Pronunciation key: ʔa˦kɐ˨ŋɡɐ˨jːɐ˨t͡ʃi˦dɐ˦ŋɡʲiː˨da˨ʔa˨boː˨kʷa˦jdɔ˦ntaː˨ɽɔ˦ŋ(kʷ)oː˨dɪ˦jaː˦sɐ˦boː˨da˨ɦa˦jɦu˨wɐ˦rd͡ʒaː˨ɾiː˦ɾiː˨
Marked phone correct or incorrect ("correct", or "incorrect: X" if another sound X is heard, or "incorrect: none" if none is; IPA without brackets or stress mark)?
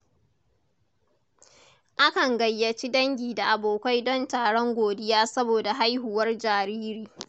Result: incorrect: ɡʷ